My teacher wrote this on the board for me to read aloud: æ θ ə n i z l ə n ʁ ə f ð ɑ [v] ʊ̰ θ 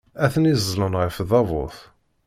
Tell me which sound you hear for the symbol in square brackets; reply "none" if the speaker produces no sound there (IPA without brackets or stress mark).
v